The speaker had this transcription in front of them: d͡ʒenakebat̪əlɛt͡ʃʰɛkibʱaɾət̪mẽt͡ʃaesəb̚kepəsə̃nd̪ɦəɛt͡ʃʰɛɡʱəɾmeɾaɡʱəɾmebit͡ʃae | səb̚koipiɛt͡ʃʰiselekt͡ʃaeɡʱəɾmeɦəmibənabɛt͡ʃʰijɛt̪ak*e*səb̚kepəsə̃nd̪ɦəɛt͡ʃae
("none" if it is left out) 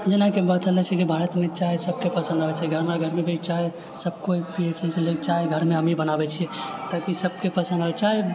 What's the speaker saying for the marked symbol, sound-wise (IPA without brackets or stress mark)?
i